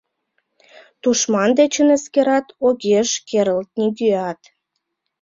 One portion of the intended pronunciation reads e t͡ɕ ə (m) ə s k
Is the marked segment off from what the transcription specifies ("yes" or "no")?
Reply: yes